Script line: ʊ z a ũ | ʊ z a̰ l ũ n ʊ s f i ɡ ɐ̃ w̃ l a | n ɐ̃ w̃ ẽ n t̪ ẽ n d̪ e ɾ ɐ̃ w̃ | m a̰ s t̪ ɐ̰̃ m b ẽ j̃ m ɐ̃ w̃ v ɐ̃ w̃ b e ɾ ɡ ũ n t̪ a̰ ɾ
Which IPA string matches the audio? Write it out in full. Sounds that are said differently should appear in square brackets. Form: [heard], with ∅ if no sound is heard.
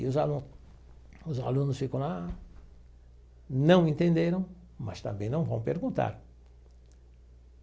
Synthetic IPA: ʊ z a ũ | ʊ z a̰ l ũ n ʊ s f i [k] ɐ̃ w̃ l a | n ɐ̃ w̃ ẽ n t̪ ẽ n d̪ e ɾ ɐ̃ w̃ | m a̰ s t̪ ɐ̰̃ m b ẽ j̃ [n] ɐ̃ w̃ v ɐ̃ w̃ [p] e ɾ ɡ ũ n t̪ a̰ ɾ